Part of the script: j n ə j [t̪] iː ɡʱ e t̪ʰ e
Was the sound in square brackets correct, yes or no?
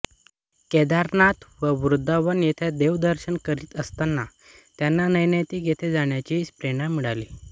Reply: yes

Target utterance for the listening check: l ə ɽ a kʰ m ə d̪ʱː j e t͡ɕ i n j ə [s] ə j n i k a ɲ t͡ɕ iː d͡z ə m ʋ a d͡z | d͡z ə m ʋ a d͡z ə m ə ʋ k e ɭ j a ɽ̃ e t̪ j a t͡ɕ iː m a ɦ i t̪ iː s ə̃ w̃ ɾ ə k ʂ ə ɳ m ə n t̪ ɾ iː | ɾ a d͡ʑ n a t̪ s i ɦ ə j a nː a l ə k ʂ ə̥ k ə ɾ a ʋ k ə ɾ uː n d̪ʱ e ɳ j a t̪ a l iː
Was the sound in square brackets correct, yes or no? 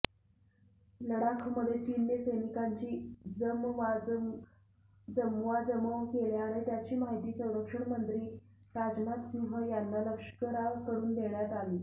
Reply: yes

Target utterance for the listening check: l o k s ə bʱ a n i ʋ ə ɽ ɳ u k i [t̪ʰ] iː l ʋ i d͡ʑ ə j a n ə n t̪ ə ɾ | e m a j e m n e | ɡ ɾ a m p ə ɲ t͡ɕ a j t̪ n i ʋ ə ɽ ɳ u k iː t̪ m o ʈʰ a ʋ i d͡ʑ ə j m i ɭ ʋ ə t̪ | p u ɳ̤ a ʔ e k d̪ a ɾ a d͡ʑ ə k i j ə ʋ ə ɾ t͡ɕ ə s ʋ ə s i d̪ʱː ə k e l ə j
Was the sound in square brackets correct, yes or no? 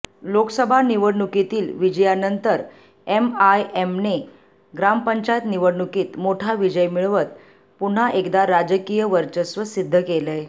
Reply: no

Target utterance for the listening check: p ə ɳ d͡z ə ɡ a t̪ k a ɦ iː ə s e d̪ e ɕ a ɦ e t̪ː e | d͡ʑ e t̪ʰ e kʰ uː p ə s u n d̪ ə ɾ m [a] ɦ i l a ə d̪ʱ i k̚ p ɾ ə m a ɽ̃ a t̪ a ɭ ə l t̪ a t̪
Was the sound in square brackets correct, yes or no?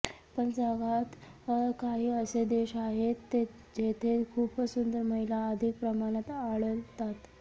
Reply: no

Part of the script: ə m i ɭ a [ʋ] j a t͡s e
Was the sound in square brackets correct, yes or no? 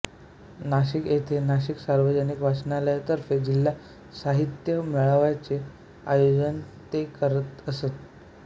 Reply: yes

